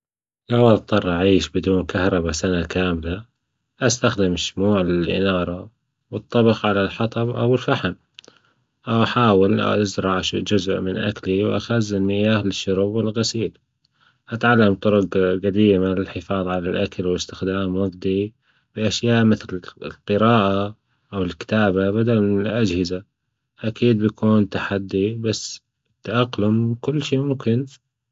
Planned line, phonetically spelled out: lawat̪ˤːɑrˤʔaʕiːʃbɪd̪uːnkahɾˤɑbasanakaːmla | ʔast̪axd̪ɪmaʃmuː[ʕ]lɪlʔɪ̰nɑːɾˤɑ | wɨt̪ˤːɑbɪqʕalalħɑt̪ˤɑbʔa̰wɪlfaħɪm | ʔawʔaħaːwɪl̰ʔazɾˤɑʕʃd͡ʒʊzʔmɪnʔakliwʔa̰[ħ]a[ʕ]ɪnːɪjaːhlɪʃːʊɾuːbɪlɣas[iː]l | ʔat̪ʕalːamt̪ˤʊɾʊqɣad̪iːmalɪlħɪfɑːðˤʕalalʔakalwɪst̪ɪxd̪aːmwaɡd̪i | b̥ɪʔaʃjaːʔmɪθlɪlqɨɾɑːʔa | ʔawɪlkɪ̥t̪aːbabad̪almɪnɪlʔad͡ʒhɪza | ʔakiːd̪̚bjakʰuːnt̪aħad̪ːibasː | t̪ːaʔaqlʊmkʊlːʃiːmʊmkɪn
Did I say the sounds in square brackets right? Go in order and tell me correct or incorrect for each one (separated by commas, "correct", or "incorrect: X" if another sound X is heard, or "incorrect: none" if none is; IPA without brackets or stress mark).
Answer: correct, incorrect: x, incorrect: z, correct